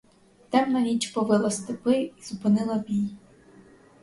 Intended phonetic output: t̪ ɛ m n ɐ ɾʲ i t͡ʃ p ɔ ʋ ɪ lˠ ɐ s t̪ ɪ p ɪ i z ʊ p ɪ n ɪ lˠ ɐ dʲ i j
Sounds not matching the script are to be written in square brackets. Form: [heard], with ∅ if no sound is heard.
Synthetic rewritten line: t̪ ɛ m n ɐ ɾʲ i t͡ʃ p ɔ ʋ ɪ lˠ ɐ s t̪ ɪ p ɪ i z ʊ p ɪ n ɪ lˠ ɐ [bʲ] i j